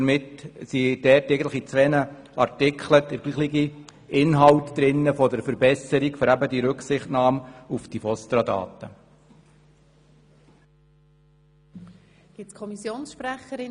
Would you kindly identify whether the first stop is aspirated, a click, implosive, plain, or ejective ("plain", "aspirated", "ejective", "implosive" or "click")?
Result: plain